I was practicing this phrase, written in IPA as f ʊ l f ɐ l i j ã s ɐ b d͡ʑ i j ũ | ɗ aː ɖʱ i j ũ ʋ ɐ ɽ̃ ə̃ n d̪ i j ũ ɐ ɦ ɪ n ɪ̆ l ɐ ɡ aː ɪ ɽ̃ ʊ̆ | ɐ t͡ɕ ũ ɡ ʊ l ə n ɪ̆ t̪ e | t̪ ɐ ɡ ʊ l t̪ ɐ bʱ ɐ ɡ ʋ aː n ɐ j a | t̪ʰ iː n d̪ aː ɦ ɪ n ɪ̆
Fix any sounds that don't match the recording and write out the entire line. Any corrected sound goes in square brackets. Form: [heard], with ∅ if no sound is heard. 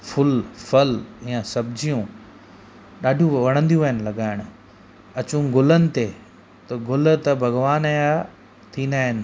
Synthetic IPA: f ʊ l f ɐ l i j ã s ɐ b d͡ʑ i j ũ | ɗ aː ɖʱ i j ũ ʋ ɐ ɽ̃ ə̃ n d̪ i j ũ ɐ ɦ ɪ n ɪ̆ l ɐ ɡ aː ɪ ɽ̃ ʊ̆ | ɐ t͡ɕ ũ ɡ ʊ l ə n ɪ̆ t̪ e | t̪ ɐ ɡ ʊ l t̪ ɐ bʱ ɐ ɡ ʋ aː n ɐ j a | t̪ʰ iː n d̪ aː ɦ ɪ n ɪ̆